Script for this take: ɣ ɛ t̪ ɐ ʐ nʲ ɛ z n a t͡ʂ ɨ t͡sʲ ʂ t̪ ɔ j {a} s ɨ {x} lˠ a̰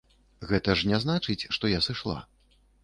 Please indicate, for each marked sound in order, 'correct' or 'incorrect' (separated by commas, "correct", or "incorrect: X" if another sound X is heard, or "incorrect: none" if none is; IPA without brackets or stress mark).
correct, incorrect: ʂ